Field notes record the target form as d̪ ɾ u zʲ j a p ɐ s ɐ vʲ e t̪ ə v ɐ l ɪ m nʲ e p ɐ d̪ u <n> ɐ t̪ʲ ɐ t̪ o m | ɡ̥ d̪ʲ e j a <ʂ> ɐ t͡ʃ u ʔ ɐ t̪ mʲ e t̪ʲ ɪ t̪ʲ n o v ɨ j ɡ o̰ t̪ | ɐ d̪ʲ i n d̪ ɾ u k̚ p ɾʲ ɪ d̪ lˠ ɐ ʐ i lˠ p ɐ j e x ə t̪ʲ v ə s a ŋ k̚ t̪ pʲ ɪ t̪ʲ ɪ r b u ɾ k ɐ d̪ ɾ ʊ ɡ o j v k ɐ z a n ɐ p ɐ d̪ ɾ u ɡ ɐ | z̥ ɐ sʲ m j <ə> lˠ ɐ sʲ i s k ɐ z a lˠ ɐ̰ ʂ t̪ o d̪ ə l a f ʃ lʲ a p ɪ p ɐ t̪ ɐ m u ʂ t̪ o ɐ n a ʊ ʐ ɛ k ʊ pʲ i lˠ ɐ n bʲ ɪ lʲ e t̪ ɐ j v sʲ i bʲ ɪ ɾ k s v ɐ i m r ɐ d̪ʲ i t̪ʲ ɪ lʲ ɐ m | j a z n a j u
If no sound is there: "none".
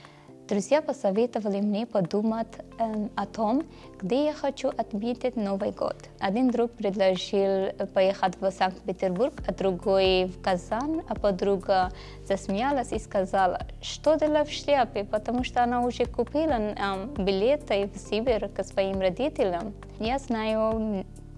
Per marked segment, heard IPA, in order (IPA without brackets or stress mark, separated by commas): m, x, a